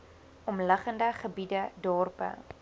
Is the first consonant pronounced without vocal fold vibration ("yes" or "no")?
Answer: no